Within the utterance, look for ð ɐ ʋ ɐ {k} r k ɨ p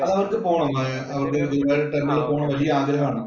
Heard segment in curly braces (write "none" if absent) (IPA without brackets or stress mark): none